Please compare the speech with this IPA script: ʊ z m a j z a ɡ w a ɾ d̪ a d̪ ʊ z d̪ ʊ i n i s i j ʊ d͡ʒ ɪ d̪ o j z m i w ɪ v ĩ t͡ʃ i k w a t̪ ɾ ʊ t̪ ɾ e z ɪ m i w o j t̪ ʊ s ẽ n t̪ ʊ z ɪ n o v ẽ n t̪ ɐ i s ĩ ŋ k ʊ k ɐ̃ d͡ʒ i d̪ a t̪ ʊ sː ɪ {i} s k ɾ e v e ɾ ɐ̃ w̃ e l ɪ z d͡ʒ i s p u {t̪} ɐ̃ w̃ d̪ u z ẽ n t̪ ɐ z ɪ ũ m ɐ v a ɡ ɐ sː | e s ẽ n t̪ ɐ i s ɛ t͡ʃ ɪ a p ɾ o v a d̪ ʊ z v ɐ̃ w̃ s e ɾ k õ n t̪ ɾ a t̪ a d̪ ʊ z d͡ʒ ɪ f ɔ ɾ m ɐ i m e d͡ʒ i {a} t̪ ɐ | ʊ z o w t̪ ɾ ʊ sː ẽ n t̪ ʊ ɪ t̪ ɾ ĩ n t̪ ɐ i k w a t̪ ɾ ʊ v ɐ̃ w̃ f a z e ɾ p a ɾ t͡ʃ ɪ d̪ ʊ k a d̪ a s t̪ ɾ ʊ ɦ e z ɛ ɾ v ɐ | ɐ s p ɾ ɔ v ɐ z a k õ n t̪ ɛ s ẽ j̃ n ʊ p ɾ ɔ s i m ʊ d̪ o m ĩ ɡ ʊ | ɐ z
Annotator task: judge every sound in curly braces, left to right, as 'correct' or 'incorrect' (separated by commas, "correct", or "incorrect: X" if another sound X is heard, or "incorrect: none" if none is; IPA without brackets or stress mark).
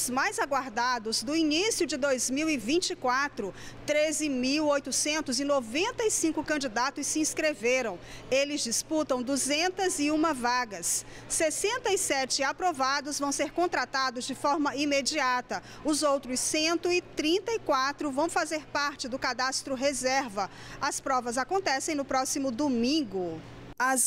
incorrect: ĩ, correct, correct